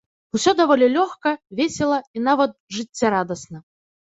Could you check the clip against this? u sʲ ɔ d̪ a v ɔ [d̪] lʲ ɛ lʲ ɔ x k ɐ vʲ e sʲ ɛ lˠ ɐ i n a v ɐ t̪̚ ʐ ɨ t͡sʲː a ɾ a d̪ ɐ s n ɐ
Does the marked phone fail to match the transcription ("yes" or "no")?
yes